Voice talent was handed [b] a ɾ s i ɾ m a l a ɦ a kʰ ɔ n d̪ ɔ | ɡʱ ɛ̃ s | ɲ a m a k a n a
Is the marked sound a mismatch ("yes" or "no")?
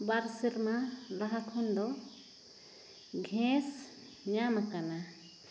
no